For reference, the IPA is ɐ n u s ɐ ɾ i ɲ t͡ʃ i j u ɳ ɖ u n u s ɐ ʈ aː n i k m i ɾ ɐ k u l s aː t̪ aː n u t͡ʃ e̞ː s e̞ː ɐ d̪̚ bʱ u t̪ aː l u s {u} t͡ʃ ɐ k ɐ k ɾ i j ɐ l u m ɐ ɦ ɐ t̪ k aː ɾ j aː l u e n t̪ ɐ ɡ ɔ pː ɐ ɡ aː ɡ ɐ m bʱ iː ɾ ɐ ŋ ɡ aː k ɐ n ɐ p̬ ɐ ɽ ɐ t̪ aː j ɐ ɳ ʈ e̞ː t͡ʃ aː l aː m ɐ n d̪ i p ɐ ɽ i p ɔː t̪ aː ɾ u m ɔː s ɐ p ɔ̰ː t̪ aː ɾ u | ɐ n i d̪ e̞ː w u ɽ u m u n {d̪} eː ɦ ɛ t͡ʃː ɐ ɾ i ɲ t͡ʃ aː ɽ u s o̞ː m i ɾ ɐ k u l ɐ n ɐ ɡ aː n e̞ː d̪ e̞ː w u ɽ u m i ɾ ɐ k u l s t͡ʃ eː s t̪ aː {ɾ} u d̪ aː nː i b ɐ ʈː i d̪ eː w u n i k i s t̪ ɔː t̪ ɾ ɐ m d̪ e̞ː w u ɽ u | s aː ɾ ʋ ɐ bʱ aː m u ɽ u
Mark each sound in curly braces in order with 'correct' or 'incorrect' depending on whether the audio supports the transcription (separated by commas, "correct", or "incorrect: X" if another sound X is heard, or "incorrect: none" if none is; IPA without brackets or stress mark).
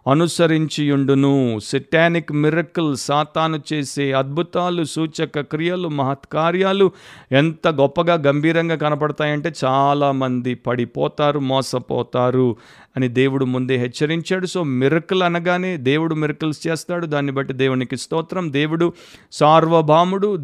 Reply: incorrect: uː, correct, incorrect: ɽ